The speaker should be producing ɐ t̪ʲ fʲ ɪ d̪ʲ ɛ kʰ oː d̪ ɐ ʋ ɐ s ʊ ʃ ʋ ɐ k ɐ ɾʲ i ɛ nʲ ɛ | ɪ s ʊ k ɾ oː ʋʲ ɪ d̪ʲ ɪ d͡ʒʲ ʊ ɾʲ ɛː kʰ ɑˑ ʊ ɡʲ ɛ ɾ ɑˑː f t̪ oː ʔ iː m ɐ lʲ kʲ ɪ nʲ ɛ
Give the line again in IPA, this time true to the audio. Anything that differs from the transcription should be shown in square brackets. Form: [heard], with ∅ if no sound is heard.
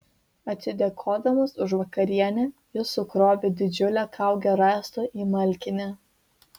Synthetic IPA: ɐ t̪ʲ [sʲ] ɪ d̪ʲ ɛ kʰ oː d̪ ɐ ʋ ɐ s ʊ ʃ ʋ ɐ k ɐ ɾʲ i ɛ nʲ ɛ | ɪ s ʊ k ɾ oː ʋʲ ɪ d̪ʲ ɪ d͡ʒʲ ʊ [lʲ] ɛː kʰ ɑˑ ʊ ɡʲ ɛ ɾ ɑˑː [s] t̪ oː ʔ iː m ɐ lʲ kʲ ɪ nʲ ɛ